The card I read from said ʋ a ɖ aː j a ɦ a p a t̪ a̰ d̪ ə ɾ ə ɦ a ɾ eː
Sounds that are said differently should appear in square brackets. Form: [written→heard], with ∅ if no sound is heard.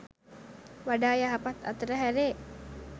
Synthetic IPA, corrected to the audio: ʋ a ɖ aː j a ɦ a p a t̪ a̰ [d̪→t̪] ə ɾ ə ɦ [a→æ] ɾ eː